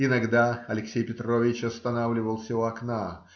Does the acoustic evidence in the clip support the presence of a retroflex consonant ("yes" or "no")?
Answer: no